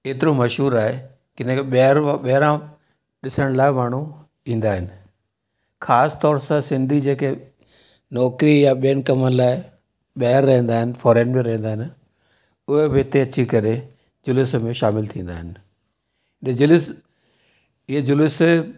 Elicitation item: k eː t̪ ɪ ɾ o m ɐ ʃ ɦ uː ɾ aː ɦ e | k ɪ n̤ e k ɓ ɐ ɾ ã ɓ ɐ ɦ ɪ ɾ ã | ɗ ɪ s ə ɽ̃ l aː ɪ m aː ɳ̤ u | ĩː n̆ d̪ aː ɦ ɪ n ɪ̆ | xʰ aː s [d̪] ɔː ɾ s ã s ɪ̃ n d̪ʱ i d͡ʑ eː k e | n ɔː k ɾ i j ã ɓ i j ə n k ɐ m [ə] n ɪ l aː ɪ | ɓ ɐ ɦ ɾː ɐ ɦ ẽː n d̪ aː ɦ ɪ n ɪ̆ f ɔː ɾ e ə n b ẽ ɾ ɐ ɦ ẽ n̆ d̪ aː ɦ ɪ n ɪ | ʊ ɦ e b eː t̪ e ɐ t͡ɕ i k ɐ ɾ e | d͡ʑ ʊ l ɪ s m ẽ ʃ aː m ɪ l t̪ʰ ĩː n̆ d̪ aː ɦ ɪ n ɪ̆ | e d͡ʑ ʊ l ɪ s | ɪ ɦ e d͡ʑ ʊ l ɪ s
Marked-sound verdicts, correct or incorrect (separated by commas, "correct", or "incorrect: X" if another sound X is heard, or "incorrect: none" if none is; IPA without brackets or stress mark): incorrect: t̪, correct